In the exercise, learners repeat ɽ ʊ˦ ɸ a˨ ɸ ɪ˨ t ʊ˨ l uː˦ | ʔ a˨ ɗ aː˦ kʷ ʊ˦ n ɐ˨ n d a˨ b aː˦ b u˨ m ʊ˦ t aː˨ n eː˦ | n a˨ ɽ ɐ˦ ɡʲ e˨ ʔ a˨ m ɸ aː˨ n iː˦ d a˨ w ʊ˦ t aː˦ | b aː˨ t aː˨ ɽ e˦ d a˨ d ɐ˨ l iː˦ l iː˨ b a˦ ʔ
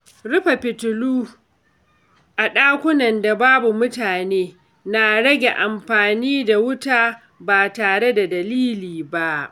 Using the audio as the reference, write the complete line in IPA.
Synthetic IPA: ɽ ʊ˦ ɸ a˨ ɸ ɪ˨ t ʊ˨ l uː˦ | ʔ a˨ ɗ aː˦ kʷ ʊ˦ n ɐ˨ n d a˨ b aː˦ b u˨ m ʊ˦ t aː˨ n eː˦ | n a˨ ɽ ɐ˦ ɡʲ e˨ ʔ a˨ m ɸ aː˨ n iː˦ d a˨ w ʊ˦ t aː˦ | b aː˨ t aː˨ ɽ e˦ d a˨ d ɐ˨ l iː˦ l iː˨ b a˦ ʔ